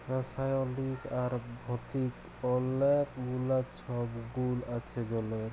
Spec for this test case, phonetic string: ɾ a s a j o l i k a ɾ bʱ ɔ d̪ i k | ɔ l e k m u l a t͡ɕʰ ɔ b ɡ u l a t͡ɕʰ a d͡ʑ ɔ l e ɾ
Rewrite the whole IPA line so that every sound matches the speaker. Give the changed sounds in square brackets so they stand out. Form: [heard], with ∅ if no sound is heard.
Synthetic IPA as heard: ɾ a s a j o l i k a ɾ bʱ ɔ [t̪] i k | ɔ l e k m u l a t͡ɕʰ ɔ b ɡ u l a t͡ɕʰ [e] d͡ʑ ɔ l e ɾ